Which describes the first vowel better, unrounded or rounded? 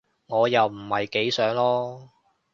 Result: rounded